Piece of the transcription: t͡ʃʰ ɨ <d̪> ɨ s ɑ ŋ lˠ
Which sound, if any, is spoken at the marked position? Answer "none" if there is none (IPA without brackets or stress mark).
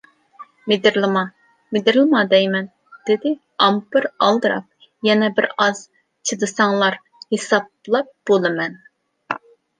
d̪